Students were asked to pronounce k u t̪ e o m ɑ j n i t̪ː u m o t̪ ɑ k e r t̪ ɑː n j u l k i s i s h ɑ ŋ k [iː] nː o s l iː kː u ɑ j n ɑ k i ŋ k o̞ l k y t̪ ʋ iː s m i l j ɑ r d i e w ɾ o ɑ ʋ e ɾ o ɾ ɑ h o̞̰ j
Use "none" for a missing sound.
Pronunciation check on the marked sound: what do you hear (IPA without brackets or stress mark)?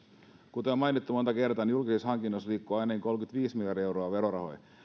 i